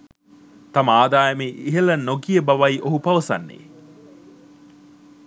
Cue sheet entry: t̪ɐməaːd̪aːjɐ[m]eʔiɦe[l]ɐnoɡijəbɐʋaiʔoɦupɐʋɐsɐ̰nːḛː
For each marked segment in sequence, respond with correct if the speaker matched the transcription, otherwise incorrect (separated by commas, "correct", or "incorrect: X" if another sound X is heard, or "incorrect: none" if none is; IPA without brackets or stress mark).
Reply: correct, correct